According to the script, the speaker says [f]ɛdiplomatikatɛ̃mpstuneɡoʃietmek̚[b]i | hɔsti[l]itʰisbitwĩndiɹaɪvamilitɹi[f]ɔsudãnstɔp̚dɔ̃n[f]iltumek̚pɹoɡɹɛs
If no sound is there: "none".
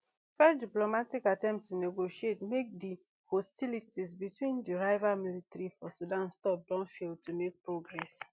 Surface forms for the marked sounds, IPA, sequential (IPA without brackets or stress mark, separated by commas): f, d, l, f, f